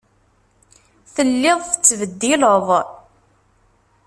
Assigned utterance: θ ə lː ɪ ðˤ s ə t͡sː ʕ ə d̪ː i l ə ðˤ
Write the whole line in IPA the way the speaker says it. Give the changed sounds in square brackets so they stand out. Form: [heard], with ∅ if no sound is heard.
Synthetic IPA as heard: θ ə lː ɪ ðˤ [θ] ə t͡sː [v] ə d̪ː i l ə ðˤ